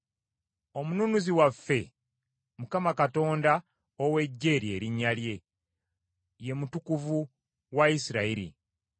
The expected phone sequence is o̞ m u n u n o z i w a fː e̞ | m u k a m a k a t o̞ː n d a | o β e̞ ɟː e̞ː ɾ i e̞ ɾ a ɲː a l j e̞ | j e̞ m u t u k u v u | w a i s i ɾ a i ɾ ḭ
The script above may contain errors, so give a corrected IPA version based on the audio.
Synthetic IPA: o̞ m u n u n u z i w a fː e̞ | m u k a m a k a t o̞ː n d a | o w e̞ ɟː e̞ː ɾ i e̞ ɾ i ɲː a l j e̞ | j e̞ m u t u k u v u | w a i s i ɾ a i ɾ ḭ